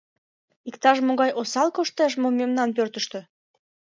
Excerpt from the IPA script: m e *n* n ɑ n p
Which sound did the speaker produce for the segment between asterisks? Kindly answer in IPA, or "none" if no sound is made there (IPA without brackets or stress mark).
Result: m